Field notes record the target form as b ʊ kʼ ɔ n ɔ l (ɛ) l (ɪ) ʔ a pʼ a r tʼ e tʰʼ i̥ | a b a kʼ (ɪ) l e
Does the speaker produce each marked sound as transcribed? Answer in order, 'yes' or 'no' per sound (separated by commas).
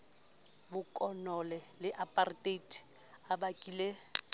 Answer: yes, yes, no